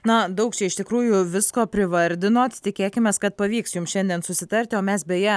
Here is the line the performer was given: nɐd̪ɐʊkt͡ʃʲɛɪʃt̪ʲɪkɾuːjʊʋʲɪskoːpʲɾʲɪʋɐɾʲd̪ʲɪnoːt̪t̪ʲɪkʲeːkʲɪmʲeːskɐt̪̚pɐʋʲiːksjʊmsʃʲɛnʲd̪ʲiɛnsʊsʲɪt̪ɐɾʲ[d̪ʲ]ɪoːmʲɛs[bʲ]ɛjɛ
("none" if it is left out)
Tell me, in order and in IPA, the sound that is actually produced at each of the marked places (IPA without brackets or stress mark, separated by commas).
t̪ʲ, bʲ